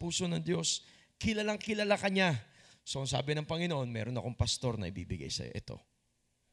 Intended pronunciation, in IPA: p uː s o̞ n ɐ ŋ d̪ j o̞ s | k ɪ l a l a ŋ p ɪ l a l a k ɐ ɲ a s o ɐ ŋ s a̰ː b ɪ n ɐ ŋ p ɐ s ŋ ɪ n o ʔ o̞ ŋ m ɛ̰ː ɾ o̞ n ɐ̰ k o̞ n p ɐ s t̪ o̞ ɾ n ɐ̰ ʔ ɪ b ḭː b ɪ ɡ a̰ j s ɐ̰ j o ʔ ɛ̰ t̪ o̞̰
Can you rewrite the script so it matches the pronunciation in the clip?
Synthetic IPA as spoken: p uː s o̞ n ɐ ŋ d̪ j o̞ s | k ɪ l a l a ŋ k ɪ l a l a k ɐ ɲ a s o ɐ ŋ s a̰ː b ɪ n ɐ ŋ p ɐ ŋ ɪ n o ʔ o̞ n m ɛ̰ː ɾ o̞ n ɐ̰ k o̞ ŋ p ɐ s t̪ o̞ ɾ n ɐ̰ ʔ ɪ b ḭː b ɪ ɡ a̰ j s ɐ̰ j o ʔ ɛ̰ t̪ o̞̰